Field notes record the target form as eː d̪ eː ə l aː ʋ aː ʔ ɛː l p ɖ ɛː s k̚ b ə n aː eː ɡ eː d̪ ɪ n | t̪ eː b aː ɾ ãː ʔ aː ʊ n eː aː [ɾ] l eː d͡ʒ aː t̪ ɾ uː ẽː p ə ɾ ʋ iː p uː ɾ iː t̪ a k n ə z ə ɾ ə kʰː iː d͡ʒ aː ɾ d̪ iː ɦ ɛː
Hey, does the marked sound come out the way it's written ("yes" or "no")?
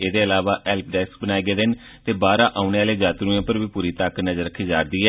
no